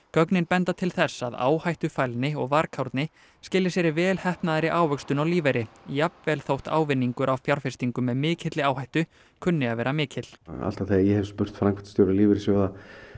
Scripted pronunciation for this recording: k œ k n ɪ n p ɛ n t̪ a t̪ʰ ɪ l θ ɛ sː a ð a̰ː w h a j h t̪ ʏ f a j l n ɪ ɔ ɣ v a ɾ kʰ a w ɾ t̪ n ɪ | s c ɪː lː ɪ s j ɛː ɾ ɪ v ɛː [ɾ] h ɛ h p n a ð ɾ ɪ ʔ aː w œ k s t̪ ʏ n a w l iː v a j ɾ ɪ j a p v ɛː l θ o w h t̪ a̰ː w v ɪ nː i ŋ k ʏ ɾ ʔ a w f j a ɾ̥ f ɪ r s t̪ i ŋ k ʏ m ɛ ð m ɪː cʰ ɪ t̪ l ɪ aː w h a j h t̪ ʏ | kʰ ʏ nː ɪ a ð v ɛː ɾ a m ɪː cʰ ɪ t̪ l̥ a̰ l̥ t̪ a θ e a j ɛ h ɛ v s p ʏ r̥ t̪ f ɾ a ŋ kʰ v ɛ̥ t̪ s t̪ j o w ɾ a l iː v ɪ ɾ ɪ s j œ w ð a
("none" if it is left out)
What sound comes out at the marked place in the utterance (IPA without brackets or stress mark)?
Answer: l